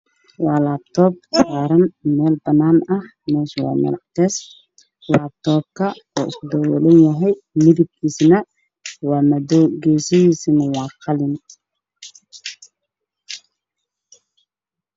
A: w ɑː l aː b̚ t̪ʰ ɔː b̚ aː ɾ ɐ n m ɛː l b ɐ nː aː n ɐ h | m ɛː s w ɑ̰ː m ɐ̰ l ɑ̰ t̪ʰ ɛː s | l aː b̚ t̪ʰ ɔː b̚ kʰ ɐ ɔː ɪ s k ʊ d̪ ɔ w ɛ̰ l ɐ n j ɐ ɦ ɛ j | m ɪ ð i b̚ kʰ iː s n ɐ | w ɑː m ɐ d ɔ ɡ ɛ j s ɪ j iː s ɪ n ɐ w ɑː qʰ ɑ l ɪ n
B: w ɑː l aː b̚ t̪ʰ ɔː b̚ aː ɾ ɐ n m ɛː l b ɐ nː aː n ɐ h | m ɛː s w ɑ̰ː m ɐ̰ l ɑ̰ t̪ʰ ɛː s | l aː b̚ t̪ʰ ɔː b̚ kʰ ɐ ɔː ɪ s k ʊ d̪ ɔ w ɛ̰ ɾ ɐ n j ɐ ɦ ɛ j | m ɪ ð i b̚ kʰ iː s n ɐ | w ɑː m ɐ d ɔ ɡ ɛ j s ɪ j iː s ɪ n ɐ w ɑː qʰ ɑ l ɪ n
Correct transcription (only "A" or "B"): A